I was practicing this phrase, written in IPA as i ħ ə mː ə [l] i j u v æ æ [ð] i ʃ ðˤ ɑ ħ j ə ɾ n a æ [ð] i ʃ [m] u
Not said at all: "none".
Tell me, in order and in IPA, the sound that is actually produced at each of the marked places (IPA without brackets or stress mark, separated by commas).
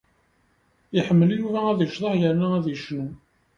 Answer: l, ð, ð, n